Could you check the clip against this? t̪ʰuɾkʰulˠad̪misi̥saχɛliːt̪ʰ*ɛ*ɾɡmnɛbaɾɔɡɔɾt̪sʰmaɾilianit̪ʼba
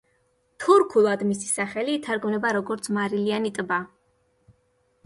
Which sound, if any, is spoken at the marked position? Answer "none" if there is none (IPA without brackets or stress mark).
a